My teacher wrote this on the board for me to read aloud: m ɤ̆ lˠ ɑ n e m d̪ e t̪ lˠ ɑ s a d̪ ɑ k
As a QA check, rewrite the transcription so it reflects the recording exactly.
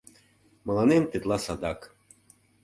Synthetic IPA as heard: m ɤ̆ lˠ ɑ n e m t̪ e t̪ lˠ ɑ s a d̪ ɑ k